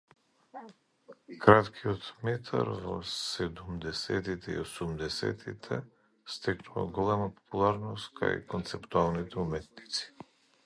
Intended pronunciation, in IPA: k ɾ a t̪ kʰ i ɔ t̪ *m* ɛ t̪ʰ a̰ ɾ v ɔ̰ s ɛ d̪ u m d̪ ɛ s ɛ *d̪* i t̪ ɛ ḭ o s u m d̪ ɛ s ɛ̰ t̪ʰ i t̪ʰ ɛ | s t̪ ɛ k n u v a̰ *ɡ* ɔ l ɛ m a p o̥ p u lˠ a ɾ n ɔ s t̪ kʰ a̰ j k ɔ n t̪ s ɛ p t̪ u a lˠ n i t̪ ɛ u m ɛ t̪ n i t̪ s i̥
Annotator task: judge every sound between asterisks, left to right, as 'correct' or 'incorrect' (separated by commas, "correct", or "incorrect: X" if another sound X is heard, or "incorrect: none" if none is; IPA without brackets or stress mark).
correct, incorrect: t̪, correct